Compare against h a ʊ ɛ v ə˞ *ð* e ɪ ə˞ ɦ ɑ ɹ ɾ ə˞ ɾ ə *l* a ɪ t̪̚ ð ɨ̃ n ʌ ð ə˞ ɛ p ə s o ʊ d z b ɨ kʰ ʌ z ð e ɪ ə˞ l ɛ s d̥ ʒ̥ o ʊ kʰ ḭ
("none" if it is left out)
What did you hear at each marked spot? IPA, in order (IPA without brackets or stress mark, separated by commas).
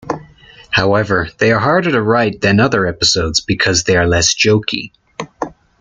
ð, ɹ